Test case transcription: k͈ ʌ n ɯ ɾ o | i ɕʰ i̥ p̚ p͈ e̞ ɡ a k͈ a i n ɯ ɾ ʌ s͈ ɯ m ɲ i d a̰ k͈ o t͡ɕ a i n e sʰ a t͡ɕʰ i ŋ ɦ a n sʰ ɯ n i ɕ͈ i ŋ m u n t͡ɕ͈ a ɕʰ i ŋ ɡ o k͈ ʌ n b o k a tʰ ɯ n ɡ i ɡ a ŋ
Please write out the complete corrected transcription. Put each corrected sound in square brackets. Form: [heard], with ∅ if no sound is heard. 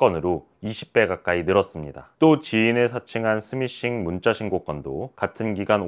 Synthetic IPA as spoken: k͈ ʌ n ɯ ɾ o | i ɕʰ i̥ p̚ p͈ e̞ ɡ a k͈ a i n ɯ ɾ ʌ s͈ ɯ m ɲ i d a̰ [t͈] o t͡ɕ [i] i n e sʰ a t͡ɕʰ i ŋ ɦ a n sʰ ɯ [m] i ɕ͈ i ŋ m u n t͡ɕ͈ a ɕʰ i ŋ ɡ o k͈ ʌ n [d] o k a tʰ ɯ n ɡ i ɡ a [n]